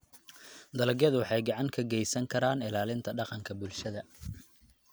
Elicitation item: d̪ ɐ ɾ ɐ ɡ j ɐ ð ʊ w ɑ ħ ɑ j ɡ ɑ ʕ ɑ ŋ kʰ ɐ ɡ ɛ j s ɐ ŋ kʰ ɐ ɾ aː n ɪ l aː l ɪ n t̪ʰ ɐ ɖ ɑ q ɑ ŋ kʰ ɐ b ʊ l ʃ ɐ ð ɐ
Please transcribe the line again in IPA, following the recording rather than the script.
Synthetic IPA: d̪ ɐ l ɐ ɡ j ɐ ð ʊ w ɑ ħ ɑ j ɡ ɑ ʕ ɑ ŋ kʰ ɐ ɡ ɛ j s ɐ ŋ kʰ ɐ ɾ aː n ɪ l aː l ɪ n t̪ʰ ɐ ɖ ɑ q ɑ ŋ kʰ ɐ b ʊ l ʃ ɐ ð ɐ